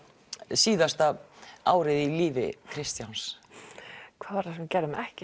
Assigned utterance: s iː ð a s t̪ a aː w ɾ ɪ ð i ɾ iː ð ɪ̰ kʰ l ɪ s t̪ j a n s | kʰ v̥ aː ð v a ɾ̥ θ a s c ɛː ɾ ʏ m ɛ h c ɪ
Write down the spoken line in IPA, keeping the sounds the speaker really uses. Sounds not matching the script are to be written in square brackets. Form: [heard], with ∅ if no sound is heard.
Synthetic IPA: s iː ð a s t̪ a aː w ɾ ɪ ð i [l] iː [v] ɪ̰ kʰ [ɾ] ɪ s t̪ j a n s | kʰ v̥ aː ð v a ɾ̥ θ a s c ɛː ɾ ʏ m ɛ h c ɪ

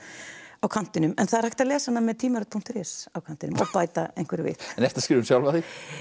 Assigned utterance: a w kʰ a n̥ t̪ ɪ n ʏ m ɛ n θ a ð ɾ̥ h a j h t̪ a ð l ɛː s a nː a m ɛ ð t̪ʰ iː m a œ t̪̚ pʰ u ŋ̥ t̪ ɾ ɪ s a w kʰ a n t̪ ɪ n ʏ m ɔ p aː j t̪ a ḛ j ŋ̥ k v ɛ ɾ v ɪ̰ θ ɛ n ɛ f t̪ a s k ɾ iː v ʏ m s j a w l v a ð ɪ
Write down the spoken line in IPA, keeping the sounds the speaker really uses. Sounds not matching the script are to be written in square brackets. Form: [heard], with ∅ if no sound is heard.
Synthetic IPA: a w kʰ a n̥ t̪ ɪ n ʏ m ɛ n θ a ð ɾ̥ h a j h t̪ a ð l ɛː s a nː a m ɛ ð t̪ʰ iː m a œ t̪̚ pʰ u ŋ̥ t̪ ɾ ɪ s a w kʰ a n t̪ ɪ n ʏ m ɔ p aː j t̪ a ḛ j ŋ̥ k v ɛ ɾ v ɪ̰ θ ɛ n ɛ f t̪ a s k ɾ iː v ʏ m s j a w l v a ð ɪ

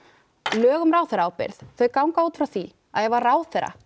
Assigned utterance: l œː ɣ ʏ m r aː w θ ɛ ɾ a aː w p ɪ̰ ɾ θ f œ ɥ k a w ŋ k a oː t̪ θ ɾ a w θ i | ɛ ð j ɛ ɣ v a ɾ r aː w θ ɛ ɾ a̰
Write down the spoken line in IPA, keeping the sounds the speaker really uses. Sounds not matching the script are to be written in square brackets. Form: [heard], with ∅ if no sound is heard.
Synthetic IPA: l œː ɣ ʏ m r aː w θ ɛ ɾ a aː w p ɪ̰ ɾ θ [θ] œ ɥ k a w ŋ k a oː t̪ [f] ɾ a w θ i | [a] ð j ɛ ɣ v a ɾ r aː w θ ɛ ɾ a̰

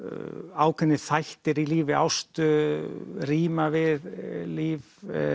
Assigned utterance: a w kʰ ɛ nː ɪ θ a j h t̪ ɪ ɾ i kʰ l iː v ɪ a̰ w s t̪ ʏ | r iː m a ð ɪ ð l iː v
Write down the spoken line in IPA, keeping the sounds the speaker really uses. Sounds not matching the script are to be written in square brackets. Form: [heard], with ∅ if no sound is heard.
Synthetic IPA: a w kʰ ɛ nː ɪ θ a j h t̪ ɪ ɾ i [∅] l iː v ɪ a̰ w s t̪ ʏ | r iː m a [v] ɪ ð l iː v

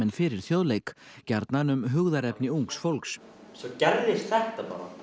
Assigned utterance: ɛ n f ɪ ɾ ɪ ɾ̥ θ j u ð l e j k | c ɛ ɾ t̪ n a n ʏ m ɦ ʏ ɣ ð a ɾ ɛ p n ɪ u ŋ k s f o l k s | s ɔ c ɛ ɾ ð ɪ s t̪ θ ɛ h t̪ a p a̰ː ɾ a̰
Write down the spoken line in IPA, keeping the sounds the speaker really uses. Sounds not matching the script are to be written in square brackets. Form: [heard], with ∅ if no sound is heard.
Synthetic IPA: ɛ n f ɪ ɾ ɪ ɾ̥ θ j [o] ð l e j k | c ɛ ɾ t̪ n a n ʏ m ɦ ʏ ɣ ð a ɾ ɛ p n ɪ u ŋ k s f o l k s | s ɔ c ɛ ɾ ð ɪ s t̪ θ ɛ h t̪ a p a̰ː ɾ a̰

